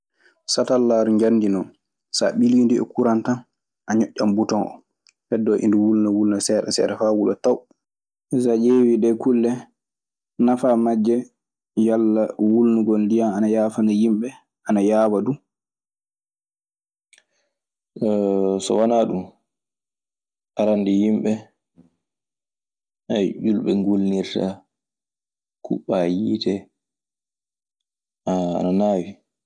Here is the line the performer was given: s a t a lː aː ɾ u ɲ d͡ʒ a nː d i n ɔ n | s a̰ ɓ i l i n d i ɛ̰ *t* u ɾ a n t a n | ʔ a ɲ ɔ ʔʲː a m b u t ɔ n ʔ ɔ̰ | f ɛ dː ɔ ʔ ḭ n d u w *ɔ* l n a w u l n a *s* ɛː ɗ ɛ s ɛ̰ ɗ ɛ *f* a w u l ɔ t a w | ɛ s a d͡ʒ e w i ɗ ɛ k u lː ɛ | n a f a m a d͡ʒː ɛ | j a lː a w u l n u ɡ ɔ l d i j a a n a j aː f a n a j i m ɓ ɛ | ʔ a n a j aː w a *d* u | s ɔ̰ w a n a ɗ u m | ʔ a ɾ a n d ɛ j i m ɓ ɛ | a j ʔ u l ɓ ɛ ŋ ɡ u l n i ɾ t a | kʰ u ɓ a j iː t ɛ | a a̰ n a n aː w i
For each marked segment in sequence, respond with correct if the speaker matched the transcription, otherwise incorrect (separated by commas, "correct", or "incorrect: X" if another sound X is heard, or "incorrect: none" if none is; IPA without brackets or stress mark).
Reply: incorrect: k, incorrect: u, correct, correct, correct